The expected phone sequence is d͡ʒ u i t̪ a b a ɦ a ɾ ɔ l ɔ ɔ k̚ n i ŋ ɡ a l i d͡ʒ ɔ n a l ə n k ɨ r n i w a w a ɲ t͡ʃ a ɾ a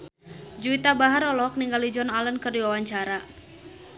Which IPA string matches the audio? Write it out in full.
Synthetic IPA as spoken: d͡ʒ u i t̪ a b a ɦ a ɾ ɔ l ɔ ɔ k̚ n i ŋ ɡ a l i d͡ʒ ɔ n a l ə n k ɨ r d i w a w a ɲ t͡ʃ a ɾ a

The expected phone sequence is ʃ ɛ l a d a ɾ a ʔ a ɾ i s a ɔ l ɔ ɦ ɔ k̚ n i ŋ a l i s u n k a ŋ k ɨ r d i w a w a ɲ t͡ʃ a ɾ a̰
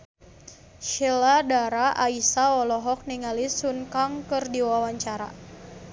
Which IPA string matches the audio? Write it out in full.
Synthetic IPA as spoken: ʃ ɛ l a d a ɾ a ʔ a i s a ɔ l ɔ ɦ ɔ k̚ n i ŋ a l i s u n k a ŋ k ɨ r d i w a w a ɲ t͡ʃ a ɾ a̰

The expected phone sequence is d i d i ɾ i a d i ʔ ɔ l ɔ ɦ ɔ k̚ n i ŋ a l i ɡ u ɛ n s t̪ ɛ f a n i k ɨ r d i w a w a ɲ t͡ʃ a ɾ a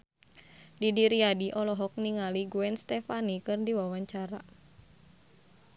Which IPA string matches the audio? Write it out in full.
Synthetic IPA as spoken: d i d i ɾ i a d i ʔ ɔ l ɔ ɦ ɔ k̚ n i ŋ a l i ɡ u ɛ n s t̪ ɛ f a n i k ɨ r d i w a w a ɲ t͡ʃ a ɾ a

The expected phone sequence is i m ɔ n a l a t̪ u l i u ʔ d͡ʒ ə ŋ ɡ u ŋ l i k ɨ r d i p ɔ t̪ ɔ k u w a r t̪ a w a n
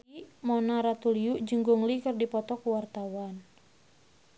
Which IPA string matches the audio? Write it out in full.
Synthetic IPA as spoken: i m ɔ n a ɾ a t̪ u l i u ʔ d͡ʒ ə ŋ ɡ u ŋ l i k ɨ r d i p ɔ t̪ ɔ k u w a r t̪ a w a n

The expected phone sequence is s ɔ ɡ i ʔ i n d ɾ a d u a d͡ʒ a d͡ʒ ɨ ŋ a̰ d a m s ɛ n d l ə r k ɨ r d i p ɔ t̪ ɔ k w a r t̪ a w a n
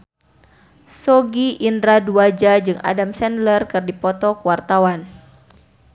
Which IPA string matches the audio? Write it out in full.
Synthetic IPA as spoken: s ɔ ɡ i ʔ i n d ɾ a d u a d͡ʒ a d͡ʒ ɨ ŋ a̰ d a m s ɛ n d l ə r k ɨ r d i p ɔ t̪ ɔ k w a r t̪ a w a n

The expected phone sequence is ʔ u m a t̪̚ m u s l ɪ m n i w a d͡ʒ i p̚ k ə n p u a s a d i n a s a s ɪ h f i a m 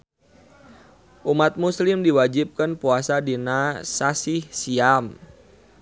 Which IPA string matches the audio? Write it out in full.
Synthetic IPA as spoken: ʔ u m a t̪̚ m u s l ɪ m d i w a d͡ʒ i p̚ k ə n p u a s a d i n a s a s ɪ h s i a m

